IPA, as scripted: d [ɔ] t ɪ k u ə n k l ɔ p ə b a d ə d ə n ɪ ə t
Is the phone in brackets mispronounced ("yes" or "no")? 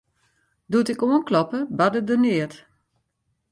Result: yes